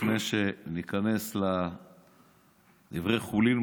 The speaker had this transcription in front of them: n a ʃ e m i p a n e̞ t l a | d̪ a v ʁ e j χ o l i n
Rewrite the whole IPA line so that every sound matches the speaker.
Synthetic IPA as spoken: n e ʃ e n i k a n e̞ s l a | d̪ i v ʁ e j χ u l i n